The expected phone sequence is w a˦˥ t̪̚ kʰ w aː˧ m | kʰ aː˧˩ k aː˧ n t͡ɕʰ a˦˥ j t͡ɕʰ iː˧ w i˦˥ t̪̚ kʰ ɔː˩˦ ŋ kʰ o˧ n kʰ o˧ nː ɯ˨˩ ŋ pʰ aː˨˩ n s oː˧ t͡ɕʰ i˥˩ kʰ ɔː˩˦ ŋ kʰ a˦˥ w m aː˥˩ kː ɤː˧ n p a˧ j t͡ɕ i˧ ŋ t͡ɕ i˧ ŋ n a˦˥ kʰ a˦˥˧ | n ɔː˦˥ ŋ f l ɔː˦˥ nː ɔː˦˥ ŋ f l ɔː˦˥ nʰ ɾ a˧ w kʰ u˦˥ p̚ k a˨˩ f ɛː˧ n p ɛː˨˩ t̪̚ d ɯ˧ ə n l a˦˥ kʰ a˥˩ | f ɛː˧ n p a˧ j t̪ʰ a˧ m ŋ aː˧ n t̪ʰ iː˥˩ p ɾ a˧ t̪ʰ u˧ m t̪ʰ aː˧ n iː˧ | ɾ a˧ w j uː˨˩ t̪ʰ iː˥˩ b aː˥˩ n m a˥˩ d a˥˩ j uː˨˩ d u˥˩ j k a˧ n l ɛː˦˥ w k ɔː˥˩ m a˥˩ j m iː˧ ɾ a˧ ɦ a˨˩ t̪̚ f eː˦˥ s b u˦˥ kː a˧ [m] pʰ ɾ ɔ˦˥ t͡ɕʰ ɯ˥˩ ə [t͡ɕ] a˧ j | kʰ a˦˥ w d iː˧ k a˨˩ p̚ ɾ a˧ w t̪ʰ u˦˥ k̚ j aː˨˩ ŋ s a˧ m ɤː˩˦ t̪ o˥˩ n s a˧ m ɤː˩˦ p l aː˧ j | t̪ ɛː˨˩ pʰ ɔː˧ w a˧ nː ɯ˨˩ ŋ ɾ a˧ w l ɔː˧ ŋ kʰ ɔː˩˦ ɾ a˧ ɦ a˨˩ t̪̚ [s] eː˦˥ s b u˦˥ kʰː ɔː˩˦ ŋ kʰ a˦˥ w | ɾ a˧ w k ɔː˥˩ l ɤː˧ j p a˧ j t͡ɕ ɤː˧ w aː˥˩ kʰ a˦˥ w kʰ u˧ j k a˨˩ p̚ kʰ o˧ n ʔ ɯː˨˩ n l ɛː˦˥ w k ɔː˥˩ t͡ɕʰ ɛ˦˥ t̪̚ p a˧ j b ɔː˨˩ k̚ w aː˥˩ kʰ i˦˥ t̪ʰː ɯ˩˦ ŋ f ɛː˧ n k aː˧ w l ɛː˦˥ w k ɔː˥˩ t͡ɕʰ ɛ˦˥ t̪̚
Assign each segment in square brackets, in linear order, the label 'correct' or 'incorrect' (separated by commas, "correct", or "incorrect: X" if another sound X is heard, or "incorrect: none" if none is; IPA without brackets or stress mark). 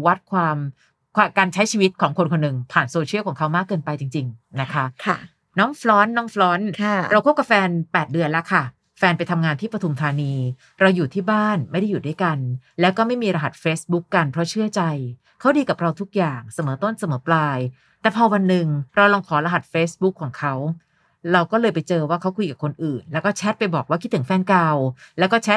incorrect: n, correct, incorrect: f